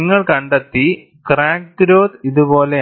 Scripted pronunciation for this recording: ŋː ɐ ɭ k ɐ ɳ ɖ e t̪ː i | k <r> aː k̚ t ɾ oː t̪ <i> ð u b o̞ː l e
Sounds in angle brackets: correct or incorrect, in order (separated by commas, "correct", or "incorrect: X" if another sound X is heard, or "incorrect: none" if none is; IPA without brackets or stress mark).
correct, correct